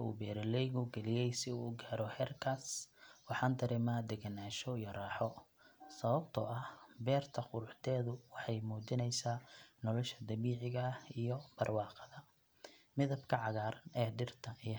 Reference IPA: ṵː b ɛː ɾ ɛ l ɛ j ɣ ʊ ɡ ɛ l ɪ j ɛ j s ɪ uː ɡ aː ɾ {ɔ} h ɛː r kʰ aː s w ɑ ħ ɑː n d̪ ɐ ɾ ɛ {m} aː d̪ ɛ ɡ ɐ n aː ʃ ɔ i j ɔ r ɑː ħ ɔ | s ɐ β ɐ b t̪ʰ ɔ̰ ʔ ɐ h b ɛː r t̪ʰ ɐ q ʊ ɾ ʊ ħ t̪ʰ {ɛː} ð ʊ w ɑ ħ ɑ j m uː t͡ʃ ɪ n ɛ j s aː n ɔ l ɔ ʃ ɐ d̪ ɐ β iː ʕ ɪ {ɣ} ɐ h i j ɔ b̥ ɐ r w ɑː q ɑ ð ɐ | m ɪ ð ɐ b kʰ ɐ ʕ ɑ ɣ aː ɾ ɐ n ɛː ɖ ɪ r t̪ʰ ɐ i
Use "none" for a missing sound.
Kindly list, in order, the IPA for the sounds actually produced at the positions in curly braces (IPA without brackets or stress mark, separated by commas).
ɔ, m, ɛː, ɣ